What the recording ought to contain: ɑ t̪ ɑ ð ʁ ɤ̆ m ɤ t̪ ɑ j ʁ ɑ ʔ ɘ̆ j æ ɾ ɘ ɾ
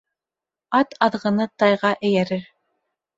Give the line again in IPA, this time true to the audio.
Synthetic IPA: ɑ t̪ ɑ ð ʁ ɤ̆ n ɤ t̪ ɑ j ʁ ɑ ʔ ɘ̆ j æ ɾ ɘ ɾ